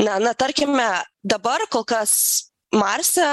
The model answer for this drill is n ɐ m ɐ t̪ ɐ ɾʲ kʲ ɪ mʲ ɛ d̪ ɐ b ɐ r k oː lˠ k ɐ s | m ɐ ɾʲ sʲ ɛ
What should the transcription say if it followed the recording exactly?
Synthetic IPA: n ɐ n ɐ t̪ ɐ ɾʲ kʲ ɪ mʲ ɛ d̪ ɐ b ɐ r k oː lˠ k ɐ s | m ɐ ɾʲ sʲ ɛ